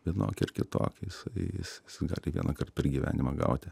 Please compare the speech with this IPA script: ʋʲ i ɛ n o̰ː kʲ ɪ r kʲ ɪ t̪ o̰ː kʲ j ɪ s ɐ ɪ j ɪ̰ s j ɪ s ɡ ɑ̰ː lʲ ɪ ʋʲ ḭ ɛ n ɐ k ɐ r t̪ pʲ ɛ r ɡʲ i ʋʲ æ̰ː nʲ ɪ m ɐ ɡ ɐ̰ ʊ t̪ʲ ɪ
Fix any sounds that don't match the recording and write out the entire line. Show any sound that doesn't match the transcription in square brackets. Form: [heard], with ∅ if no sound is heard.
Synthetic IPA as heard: ʋʲ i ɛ n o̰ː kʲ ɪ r kʲ ɪ t̪ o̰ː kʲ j ɪ s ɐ ɪ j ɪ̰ s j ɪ s ɡ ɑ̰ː lʲ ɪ ʋʲ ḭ ɛ n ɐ k ɐ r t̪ pʲ ɛ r ɡʲ i ʋʲ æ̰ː nʲ ɪ m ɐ ɡ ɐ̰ ʊ t̪ʲ ɪ